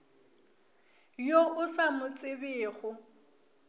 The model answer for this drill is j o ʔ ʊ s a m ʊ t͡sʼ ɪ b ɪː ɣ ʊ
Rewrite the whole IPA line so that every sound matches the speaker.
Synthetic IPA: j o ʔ ʊ s a m ʊ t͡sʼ ɪ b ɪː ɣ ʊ

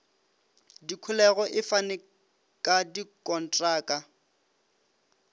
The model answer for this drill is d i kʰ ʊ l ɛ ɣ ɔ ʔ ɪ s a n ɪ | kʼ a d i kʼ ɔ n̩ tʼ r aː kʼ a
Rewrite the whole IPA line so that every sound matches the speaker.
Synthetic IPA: d i kʰ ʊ l ɛ ɣ ɔ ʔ ɪ f a n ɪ | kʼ a d i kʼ ɔ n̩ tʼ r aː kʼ a

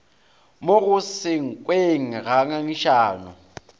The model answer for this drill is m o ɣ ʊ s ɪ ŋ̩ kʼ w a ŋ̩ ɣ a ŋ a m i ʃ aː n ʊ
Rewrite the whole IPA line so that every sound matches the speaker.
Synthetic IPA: m o ɣ ʊ s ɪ ŋ̩ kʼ w e ŋ̩ ɣ a ŋ a ŋ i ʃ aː n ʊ

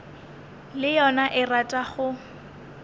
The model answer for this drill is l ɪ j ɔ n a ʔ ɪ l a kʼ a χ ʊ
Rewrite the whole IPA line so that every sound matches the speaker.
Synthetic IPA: l ɪ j ɔ n a ʔ ɪ r a tʼ a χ ʊ

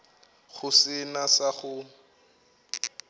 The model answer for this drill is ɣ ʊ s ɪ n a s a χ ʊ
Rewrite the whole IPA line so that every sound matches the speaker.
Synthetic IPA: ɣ ʊ s ɪ n a s a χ ʊ

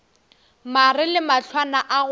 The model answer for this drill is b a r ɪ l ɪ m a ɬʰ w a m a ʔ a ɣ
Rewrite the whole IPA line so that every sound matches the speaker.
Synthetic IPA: m a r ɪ l ɪ m a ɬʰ w a n a ʔ a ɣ

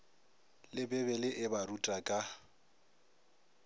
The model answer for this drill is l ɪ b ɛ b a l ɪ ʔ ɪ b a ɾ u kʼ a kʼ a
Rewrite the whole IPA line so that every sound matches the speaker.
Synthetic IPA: l ɪ b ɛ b ɛ l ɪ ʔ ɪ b a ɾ u tʼ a kʼ a

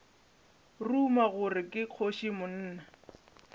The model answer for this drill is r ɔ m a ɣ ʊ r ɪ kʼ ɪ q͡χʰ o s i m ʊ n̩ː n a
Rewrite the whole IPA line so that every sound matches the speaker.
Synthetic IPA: r u m a ɣ ʊ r ɪ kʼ ɪ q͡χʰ o ʃ i m ʊ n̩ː n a

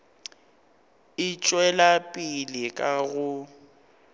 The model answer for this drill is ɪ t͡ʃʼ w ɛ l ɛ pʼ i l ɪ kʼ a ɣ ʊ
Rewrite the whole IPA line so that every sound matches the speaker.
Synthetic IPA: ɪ t͡ʃʼ w ɛ l a pʼ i l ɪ kʼ a ɣ ʊ

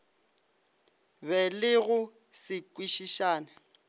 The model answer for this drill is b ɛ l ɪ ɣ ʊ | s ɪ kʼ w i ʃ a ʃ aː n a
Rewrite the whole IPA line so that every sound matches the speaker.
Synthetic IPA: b ɛ l ɪ ɣ ʊ | s ɪ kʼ w i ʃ i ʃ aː n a

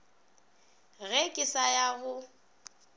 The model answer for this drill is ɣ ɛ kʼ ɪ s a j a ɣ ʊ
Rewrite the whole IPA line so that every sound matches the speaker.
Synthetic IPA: ɣ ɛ kʼ ɪ s a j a ɣ ʊ

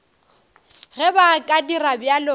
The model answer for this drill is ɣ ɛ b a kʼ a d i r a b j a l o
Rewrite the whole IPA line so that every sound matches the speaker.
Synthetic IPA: ɣ ɛ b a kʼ a d i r a b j a l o

